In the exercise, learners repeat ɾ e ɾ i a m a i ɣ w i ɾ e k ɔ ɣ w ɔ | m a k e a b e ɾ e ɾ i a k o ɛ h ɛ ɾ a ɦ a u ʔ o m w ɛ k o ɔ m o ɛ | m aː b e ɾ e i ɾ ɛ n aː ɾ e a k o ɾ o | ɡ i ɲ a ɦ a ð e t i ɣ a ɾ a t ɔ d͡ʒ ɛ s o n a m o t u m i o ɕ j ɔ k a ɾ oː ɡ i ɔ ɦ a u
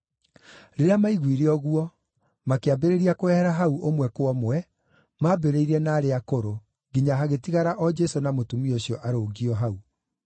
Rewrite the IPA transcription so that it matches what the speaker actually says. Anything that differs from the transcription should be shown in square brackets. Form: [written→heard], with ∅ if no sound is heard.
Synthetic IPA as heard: ɾ e ɾ [i→e] a m a i ɣ w i ɾ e [k→∅] ɔ ɣ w ɔ | m a k e a b e ɾ e ɾ i a k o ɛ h ɛ ɾ a ɦ a u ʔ o m w ɛ k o ɔ m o ɛ | m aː b e ɾ e i ɾ ɛ n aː ɾ e a k o ɾ o | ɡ i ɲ a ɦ a [ð→ɣ] e t i ɣ a ɾ a [t→ʔ] ɔ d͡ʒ ɛ s o n a m o t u m i o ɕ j ɔ [k→ʔ] a ɾ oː ɡ i ɔ ɦ a u